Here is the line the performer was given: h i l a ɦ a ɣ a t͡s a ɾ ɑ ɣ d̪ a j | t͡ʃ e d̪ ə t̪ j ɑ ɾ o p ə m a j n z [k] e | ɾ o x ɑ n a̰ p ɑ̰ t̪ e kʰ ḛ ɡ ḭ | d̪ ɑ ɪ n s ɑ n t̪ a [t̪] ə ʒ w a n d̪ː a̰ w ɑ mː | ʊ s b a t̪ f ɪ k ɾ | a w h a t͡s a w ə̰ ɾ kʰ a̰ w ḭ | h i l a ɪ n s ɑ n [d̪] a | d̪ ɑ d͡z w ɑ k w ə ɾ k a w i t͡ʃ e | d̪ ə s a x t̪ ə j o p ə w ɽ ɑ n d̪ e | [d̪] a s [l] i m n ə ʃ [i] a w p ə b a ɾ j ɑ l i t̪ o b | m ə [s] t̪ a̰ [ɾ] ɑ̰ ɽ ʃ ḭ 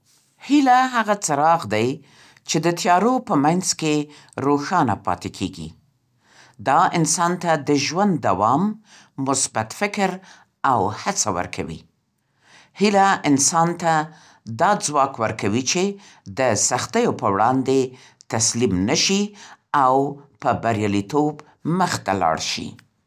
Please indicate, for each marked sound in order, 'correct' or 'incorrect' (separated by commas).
correct, incorrect, incorrect, incorrect, correct, correct, incorrect, incorrect